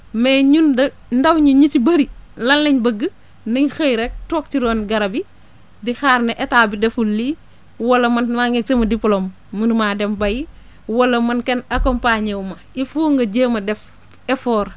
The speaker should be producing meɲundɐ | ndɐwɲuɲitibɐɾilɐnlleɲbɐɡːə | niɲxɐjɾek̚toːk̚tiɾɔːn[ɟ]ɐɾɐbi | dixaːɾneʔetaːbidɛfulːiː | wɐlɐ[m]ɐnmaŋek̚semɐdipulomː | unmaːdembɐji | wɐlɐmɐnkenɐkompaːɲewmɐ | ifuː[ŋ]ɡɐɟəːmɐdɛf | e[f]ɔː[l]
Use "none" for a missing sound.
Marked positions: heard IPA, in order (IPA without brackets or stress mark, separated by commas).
ɡ, m, ŋ, f, ɾ